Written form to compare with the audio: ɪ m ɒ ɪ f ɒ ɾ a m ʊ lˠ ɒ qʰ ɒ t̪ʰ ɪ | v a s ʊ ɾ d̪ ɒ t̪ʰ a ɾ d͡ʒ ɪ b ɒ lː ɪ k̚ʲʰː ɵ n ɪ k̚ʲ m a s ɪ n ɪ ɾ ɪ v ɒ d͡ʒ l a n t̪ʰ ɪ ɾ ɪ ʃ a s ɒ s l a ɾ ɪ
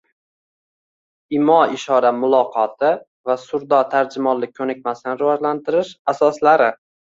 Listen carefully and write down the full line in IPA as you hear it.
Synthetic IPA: ɪ m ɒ ɪ ʃ ɒ ɾ a m ʊ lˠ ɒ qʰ ɒ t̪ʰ ɪ | v a s ʊ ɾ d̪ ɒ t̪ʰ a ɾ d͡ʒ ɪ m ɒ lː ɪ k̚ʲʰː ɵ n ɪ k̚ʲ m a s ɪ n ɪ ɾ ɪ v ɒ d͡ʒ l a n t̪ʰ ɪ ɾ ɪ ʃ a s ɒ s l a ɾ ɪ